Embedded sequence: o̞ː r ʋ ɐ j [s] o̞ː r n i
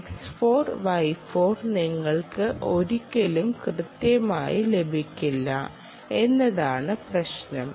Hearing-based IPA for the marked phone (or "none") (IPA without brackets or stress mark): f